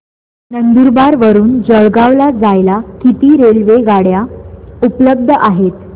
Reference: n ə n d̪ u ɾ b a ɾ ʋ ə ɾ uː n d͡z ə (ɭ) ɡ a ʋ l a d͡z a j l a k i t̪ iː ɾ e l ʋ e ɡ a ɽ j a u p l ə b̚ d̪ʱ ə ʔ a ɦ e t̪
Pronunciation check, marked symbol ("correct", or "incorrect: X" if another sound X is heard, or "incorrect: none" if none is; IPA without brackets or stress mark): correct